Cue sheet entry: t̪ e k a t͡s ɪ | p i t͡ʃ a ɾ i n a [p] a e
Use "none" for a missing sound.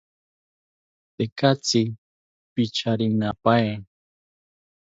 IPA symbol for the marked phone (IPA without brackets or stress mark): p